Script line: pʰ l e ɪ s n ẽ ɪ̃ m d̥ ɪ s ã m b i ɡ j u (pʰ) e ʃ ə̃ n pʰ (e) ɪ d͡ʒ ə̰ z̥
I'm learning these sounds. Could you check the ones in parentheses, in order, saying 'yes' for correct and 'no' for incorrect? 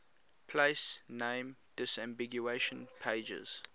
no, yes

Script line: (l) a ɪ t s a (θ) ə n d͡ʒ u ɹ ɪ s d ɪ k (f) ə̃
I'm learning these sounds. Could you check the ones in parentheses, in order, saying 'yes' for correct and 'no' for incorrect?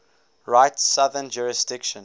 no, no, no

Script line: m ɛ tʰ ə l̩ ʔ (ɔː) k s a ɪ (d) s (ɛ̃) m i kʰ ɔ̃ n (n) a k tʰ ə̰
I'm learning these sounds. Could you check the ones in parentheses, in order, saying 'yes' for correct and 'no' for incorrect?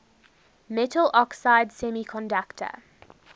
no, yes, no, no

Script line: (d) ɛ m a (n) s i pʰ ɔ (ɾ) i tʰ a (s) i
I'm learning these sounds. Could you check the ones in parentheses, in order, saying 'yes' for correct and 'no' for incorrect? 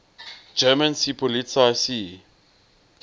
no, yes, no, yes

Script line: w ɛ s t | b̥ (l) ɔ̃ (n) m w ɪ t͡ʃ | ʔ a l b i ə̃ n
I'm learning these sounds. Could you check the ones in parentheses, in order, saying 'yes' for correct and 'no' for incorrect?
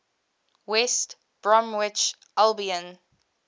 no, no

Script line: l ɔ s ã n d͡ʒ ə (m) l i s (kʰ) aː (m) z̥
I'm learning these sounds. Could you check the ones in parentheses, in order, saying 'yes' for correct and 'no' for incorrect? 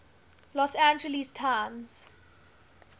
no, no, yes

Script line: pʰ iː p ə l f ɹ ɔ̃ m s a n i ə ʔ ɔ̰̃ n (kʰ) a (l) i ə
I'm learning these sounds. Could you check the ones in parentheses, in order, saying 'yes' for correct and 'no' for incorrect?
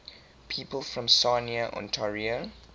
no, no

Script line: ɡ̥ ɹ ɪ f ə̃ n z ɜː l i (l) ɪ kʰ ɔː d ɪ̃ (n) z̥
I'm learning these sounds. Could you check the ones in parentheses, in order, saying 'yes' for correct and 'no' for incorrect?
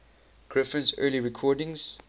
no, no

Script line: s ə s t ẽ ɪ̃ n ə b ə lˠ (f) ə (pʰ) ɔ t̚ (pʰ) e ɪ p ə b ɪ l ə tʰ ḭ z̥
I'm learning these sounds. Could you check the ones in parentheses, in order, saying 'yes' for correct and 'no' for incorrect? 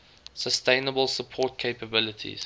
no, yes, no

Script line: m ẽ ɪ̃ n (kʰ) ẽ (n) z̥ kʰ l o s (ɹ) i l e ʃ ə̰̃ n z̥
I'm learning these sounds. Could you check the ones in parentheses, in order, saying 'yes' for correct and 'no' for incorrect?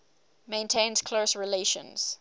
no, yes, yes

